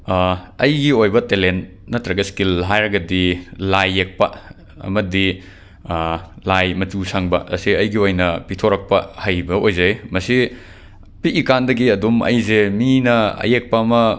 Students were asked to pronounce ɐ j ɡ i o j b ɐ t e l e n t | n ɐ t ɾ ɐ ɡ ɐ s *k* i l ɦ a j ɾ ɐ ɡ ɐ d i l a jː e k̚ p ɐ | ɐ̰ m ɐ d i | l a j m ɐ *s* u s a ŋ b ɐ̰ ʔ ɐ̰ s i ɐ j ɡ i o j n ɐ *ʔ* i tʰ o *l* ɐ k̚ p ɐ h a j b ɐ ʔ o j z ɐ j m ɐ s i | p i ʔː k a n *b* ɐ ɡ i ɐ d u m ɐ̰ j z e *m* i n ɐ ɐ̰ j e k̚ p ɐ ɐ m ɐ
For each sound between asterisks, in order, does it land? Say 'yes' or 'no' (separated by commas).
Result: yes, no, no, no, no, yes